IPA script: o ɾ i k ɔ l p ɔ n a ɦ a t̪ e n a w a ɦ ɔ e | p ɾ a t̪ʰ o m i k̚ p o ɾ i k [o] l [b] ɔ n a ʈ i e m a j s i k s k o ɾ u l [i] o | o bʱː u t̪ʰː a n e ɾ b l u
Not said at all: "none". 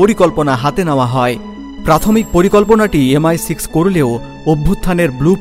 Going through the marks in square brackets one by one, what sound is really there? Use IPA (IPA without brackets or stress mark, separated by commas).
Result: ɔ, p, e